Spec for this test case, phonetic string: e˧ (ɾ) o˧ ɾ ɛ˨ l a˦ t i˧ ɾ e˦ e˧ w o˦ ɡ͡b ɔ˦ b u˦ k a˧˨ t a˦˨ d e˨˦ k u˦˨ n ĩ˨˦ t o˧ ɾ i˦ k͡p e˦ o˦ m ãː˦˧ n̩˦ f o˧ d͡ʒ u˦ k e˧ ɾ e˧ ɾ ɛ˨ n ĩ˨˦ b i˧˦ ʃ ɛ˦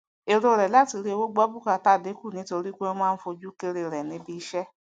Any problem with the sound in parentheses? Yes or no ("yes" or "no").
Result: no